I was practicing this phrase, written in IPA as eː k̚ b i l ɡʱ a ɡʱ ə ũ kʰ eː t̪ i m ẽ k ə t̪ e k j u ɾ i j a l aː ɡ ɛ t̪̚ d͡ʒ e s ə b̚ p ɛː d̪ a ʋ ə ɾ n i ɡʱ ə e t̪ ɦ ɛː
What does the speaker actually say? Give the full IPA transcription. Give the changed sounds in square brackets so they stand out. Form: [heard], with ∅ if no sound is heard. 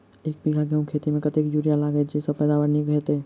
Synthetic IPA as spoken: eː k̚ b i [∅] ɡʱ a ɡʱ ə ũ kʰ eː t̪ i m ẽ k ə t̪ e k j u ɾ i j a l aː ɡ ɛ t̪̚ d͡ʒ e s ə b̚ p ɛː d̪ a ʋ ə ɾ n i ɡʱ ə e t̪ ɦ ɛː